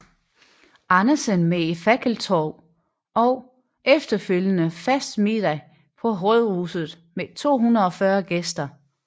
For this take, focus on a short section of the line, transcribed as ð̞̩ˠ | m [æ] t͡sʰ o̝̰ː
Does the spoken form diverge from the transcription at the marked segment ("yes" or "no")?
yes